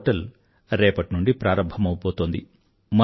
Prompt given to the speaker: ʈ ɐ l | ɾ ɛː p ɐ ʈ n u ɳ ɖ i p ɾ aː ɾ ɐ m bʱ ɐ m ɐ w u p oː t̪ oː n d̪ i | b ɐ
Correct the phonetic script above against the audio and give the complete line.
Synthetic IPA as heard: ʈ ɐ l | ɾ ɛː p ɐ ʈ n u ɳ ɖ i p ɾ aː ɾ ɐ m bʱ ɐ m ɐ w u p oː t̪ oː n d̪ i | m ɐ